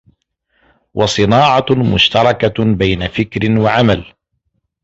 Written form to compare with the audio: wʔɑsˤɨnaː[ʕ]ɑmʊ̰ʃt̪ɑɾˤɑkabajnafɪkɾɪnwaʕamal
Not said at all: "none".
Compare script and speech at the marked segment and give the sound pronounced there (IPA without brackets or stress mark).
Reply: ʕ